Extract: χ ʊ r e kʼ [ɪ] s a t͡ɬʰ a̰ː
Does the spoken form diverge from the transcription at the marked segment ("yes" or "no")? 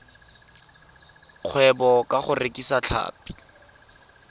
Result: yes